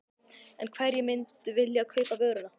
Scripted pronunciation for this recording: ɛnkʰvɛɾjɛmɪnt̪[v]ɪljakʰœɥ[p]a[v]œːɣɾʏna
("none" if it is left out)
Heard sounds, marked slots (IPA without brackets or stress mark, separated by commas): v, p, v